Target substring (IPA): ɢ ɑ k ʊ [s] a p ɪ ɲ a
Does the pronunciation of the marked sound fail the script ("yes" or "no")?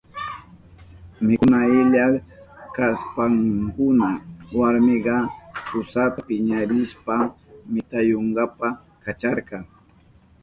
no